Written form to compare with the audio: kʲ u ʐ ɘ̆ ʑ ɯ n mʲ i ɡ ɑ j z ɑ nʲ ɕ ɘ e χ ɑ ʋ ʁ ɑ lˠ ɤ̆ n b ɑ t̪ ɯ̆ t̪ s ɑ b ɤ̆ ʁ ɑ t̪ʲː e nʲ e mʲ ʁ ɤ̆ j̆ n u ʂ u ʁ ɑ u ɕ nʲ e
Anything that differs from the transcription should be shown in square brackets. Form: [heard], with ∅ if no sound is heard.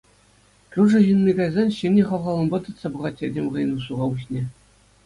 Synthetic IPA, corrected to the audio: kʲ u ʐ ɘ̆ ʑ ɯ n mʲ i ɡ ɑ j z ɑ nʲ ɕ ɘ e χ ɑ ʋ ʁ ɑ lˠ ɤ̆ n b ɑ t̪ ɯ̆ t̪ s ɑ b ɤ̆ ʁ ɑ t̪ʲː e [dʲ] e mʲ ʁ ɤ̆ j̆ n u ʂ u ʁ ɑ u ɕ nʲ e